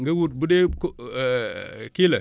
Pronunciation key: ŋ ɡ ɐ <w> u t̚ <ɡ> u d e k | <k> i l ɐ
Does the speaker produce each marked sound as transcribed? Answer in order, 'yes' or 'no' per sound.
yes, no, yes

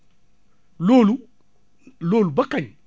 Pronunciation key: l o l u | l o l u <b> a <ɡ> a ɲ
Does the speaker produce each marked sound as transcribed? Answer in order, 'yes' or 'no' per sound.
yes, no

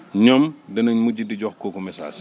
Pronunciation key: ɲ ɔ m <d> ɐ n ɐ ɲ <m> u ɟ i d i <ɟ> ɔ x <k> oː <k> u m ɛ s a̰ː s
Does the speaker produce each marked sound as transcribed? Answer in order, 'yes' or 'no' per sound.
yes, yes, yes, yes, yes

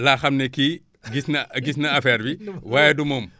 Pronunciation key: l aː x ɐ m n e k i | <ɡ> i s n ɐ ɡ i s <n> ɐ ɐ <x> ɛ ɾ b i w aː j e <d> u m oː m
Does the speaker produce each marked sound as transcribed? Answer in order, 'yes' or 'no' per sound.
yes, yes, no, yes

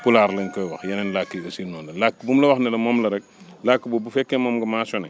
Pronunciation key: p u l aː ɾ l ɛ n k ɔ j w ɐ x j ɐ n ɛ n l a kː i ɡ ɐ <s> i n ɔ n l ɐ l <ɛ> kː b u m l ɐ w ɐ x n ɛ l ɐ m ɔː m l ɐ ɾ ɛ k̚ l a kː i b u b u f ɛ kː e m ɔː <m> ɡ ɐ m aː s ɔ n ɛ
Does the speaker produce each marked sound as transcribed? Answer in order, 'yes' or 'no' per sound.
yes, no, yes

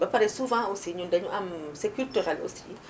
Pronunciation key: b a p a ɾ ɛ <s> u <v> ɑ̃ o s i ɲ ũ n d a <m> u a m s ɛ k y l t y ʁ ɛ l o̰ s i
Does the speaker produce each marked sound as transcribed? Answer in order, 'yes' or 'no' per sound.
yes, yes, no

